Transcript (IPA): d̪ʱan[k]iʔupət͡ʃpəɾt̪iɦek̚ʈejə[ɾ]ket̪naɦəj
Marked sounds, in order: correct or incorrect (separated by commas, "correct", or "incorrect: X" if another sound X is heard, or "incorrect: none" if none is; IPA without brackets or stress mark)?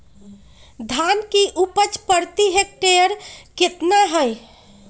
correct, correct